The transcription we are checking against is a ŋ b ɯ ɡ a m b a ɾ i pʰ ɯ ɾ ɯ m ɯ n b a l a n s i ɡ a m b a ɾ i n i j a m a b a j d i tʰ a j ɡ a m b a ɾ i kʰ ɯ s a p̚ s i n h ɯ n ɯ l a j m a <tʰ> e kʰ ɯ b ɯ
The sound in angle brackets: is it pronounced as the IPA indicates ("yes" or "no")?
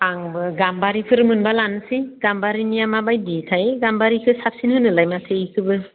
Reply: yes